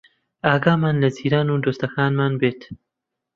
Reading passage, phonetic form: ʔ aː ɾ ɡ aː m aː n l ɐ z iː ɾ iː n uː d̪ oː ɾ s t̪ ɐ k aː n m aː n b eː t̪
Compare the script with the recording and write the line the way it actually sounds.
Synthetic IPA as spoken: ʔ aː ɡ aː m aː n l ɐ z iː ɾ aː n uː d̪ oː s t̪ ɐ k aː n m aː n b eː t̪